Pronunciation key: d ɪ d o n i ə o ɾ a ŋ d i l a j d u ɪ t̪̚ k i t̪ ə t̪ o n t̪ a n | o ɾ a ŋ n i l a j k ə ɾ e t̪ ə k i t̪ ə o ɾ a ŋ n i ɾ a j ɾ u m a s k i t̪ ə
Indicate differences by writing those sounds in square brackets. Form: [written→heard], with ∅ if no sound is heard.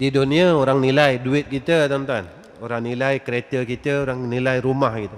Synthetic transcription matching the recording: d [ɪ→i] d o n i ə o ɾ a ŋ [d→n] i l a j d u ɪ t̪̚ k i t̪ ə t̪ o n t̪ a n | o ɾ a ŋ n i l a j k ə ɾ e t̪ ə k i t̪ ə o ɾ a ŋ n i [ɾ→l] a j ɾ u m a [s→h] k i t̪ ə